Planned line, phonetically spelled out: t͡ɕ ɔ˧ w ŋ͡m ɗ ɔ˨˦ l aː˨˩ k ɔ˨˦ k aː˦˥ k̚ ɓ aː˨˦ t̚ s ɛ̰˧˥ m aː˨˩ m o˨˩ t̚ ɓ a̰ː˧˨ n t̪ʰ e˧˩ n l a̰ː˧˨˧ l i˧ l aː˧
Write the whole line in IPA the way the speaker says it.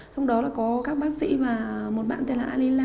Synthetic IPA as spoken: t͡ɕ ɔ˧ w ŋ͡m ɗ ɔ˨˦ l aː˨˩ k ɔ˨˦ k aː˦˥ k̚ ɓ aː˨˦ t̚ s ḭ˧˥ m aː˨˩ m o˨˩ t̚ ɓ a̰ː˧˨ n t̪ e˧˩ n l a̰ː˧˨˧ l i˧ l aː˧